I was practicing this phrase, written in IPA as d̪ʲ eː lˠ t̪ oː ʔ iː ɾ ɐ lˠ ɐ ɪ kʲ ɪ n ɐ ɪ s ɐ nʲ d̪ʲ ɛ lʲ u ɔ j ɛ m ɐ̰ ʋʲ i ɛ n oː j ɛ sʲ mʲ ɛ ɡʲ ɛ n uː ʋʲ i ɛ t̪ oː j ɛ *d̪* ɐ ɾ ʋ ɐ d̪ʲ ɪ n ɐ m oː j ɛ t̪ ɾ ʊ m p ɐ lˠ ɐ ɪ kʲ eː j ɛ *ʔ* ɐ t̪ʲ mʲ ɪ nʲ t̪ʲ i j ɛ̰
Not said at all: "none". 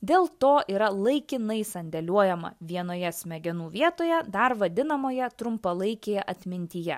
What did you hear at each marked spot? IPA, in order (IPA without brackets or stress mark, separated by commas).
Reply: d̪, ʔ